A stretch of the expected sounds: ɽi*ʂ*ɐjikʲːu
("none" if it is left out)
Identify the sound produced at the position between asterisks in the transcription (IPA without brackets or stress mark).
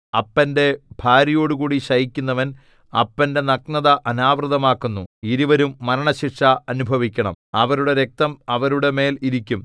ɕ